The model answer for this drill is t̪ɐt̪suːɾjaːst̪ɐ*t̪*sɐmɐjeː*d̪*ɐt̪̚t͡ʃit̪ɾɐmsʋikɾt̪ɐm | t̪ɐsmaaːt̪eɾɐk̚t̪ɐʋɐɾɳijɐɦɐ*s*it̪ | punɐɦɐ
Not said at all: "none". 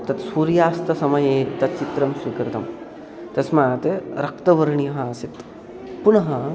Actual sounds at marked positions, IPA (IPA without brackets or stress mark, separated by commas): none, t̪, s